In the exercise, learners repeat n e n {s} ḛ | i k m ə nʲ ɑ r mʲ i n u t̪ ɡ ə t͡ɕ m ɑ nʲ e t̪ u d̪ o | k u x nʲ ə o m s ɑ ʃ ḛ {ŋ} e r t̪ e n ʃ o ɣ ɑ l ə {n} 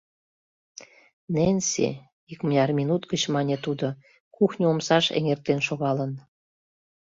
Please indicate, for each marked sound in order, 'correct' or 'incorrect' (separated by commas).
correct, correct, correct